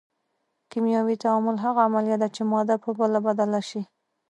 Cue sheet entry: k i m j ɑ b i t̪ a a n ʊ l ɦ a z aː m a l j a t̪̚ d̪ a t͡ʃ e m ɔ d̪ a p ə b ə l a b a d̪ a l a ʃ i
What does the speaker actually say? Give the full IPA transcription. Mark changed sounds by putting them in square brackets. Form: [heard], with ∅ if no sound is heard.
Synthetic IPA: k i m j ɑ [w] i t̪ a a [m] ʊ l ɦ a [ɣ] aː m a l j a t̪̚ d̪ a t͡ʃ e m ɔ d̪ a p ə b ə l a b a d̪ a l a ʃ i